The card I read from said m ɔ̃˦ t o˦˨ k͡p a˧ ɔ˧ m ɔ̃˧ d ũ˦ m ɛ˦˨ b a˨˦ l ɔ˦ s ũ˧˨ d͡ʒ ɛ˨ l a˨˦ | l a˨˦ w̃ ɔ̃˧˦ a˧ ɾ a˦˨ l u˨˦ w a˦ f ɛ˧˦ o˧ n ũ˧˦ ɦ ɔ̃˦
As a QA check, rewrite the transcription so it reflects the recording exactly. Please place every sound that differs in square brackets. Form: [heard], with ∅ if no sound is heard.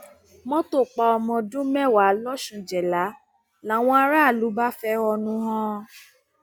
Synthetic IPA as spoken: m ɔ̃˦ t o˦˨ k͡p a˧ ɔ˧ m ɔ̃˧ d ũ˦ m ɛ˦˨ [w] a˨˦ l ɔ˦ [ʃ] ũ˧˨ d͡ʒ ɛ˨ l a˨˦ | l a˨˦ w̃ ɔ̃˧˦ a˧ ɾ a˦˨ l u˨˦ [b] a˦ f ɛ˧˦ [ɔ˧] n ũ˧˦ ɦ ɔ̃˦

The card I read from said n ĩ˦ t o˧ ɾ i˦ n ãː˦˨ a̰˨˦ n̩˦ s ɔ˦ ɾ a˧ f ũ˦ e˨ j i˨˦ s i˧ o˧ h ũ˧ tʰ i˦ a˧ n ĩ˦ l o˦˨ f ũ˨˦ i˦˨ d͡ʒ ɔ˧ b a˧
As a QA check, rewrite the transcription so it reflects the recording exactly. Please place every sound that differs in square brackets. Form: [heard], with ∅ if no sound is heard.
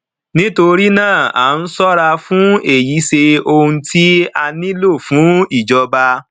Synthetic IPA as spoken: n ĩ˦ t o˧ ɾ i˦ n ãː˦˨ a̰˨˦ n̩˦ s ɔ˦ ɾ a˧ f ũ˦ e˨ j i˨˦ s [e˧] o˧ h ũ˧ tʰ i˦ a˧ n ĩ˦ l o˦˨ f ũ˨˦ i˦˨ d͡ʒ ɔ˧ b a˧

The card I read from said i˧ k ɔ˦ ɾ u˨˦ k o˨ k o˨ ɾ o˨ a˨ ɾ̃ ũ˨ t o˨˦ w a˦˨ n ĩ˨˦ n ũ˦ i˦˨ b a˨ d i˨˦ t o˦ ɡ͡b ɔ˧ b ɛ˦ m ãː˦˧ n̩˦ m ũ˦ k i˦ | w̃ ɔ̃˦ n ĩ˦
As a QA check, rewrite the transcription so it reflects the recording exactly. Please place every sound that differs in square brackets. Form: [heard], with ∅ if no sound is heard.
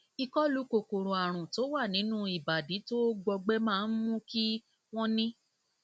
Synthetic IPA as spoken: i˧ k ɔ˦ [l] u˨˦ k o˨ k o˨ ɾ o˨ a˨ ɾ̃ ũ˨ t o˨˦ w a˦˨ n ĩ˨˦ n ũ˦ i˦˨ b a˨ d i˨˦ t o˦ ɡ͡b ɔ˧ [ɡ͡b] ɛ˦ m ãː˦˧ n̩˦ m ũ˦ k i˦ | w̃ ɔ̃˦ n ĩ˦

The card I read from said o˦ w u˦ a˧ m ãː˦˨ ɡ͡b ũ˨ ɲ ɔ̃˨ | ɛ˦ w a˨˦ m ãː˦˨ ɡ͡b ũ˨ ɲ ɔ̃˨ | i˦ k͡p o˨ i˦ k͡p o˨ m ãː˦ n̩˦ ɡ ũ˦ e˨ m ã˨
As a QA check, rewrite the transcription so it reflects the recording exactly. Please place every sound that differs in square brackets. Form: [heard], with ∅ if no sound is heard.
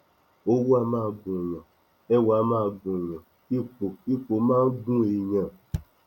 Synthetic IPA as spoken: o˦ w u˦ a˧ m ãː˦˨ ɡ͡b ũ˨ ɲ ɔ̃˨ | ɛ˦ w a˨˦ m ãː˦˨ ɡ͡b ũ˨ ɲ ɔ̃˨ | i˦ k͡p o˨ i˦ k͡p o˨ m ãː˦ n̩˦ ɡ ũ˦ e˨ [ɲ] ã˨

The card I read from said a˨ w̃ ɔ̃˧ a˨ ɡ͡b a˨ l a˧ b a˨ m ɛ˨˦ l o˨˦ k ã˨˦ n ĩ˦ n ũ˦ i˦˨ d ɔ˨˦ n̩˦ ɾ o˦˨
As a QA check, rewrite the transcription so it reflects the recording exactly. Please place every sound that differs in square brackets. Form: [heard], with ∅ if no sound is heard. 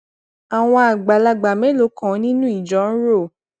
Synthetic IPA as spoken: a˨ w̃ ɔ̃˧ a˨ ɡ͡b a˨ l a˧ [ɡ͡b] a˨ m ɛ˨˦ l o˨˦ k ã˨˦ n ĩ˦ n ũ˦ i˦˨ [d͡ʒ] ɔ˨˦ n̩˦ ɾ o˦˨

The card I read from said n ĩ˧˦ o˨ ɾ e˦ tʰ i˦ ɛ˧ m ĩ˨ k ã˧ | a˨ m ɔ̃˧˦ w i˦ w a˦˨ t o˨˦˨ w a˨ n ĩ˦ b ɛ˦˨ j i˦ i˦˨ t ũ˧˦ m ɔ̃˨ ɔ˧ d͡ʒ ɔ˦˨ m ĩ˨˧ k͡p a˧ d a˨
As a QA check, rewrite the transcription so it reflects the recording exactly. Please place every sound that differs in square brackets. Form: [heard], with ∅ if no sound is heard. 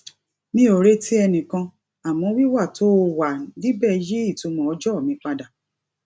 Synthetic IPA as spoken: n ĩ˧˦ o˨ ɾ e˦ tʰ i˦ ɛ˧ [n] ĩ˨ k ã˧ | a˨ m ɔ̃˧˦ w i˦ w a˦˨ t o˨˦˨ w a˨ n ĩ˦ b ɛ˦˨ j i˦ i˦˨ t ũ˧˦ m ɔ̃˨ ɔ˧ d͡ʒ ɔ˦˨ m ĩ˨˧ k͡p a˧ d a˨

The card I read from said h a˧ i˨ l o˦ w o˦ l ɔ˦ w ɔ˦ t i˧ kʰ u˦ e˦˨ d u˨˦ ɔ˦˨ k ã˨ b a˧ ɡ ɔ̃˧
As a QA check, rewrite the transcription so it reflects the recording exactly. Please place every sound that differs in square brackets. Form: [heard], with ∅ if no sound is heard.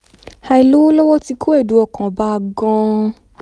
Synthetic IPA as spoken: h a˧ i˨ l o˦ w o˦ l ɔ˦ w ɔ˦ t i˧ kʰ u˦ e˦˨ d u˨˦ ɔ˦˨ k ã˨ b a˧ ɡ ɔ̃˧

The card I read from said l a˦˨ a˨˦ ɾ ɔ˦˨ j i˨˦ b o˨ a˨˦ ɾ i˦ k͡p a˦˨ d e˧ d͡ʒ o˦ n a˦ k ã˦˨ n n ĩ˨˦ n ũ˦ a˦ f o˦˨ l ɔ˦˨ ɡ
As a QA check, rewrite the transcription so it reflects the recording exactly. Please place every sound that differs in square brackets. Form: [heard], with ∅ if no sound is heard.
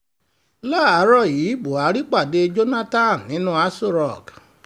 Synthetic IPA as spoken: l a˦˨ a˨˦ ɾ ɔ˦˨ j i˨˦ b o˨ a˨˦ ɾ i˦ k͡p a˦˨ d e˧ d͡ʒ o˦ n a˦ [t] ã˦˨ n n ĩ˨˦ n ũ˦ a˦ [s] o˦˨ [ɾ] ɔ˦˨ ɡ

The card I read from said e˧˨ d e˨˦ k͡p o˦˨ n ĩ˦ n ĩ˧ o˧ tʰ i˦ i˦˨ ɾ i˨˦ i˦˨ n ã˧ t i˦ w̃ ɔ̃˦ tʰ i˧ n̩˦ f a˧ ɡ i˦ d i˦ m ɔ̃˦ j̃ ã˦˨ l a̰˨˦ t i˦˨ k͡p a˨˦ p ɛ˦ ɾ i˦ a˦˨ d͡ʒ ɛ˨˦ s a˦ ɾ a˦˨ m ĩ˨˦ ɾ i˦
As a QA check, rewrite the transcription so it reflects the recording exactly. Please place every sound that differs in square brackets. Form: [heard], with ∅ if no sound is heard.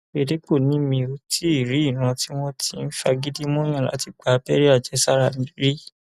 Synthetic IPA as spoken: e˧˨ d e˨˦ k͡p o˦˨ n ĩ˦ [m] ĩ˧ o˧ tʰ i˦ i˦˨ ɾ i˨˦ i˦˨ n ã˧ t i˦ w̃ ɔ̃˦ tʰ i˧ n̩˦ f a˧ ɡ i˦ d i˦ m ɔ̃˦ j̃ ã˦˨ l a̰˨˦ t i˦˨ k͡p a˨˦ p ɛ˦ ɾ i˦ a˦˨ d͡ʒ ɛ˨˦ s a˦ ɾ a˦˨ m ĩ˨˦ ɾ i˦

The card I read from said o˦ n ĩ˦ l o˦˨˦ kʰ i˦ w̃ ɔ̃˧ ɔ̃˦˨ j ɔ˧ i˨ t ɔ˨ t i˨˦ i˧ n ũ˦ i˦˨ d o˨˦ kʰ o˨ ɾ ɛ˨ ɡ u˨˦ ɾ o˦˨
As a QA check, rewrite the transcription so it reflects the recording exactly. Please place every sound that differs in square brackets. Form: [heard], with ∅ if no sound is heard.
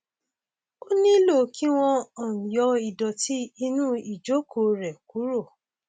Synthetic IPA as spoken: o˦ n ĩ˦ l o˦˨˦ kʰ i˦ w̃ ɔ̃˧ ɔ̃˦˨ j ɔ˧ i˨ [d] ɔ˨ t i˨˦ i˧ n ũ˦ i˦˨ [d͡ʒ] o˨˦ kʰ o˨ ɾ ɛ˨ [k] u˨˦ ɾ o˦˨

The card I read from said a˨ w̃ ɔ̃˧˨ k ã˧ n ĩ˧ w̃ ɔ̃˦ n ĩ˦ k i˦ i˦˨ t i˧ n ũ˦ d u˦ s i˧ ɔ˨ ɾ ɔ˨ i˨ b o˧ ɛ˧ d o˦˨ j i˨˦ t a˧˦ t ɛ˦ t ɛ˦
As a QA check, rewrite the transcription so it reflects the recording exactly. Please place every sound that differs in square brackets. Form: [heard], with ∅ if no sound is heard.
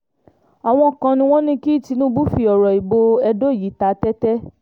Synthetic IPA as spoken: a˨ w̃ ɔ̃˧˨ k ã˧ n ĩ˧ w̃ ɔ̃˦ n ĩ˦ k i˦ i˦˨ t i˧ n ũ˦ [b] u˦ [f] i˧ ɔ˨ ɾ ɔ˨ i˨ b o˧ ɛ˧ d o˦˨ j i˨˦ t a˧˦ t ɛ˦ t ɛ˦

